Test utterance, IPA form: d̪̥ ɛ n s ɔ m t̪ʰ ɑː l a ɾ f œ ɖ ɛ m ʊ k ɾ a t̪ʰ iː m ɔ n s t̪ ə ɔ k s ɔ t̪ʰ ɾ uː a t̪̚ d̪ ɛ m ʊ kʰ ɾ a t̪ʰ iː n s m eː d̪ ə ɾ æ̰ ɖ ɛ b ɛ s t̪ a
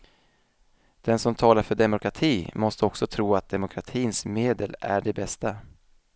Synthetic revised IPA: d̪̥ ɛ n s ɔ m t̪ʰ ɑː l a ɾ f œ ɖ ɛ m ʊ k ɾ a t̪ʰ iː m ɔ s t̪ ə ɔ k s ɔ t̪ʰ ɾ uː a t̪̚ d̪ ɛ m ʊ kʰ ɾ a t̪ʰ iː n s m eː d̪ ə l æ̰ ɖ ɛ b ɛ s t̪ a